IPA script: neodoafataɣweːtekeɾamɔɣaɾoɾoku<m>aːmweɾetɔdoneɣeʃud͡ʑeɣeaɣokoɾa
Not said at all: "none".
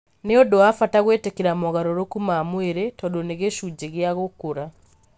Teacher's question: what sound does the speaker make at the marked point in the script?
m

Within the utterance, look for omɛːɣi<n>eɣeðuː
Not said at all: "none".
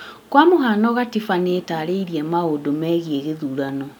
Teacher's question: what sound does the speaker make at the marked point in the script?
none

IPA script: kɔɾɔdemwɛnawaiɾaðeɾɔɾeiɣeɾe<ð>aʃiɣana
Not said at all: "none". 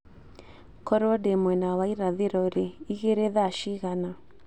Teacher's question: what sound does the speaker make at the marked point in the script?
ð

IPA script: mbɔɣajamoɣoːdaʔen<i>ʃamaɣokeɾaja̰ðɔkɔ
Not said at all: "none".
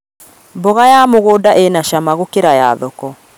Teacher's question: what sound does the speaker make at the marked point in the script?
a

